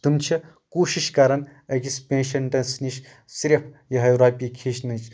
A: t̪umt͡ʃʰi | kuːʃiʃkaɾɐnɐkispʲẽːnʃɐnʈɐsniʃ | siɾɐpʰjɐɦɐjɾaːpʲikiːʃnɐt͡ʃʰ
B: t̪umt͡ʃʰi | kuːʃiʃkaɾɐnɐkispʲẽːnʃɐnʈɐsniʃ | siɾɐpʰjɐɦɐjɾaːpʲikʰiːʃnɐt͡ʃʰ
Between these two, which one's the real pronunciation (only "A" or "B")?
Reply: B